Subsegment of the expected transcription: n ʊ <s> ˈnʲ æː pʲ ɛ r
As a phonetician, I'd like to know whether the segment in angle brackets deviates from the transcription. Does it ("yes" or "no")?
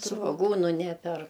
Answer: yes